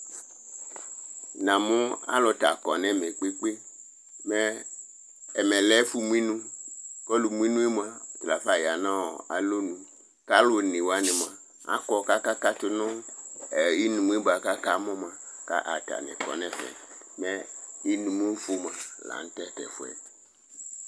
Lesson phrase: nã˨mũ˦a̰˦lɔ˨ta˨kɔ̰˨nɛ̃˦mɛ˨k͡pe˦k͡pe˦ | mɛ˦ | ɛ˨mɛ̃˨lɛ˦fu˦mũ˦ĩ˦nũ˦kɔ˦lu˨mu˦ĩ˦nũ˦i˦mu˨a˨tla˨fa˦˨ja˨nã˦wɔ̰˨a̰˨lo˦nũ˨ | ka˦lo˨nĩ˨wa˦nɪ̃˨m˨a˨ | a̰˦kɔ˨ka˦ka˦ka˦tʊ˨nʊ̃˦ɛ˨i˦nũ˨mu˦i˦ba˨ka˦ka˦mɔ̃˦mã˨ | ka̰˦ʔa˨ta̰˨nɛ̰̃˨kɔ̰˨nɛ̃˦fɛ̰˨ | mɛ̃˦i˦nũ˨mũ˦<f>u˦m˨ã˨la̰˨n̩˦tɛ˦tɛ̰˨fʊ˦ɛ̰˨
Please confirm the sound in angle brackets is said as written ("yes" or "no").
yes